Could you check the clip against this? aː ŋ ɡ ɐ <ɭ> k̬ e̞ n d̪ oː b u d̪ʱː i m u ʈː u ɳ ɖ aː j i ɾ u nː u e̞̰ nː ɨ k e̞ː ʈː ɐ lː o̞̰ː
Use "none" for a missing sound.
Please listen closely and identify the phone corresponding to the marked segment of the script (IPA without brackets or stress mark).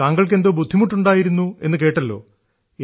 ɭ